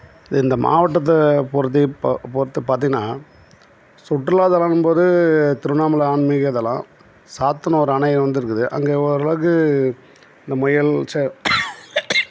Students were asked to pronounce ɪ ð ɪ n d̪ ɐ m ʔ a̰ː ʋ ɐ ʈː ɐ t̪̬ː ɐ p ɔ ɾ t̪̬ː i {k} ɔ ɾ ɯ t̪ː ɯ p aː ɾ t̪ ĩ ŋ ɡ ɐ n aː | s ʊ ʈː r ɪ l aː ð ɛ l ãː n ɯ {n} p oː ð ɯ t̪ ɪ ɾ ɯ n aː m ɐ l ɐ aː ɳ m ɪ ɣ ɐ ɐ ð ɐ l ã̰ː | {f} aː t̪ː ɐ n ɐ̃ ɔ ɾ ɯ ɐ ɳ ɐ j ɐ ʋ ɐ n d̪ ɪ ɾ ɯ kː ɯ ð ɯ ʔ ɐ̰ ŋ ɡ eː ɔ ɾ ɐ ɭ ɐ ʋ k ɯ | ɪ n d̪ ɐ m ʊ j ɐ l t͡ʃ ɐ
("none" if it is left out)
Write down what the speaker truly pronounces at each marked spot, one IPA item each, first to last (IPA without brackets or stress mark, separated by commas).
p, m, s